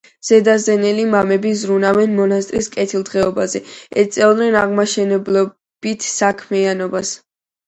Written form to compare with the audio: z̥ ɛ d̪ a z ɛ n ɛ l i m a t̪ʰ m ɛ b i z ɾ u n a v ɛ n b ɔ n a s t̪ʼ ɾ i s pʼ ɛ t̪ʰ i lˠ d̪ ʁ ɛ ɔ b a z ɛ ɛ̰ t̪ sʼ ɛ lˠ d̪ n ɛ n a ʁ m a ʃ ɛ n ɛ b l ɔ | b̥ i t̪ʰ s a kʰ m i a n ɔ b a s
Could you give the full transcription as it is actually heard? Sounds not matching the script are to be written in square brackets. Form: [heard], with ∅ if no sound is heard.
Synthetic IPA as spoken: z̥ ɛ d̪ a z ɛ n ɛ l i m a [∅] m ɛ b i z ɾ u n a v ɛ n [m] ɔ n a s t̪ʼ ɾ i s [kʼ] ɛ t̪ʰ i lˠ d̪ ʁ ɛ ɔ b a z ɛ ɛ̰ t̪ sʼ ɛ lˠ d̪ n ɛ n a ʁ m a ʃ ɛ n ɛ b l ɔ | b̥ i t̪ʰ s a kʰ m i a n ɔ b a s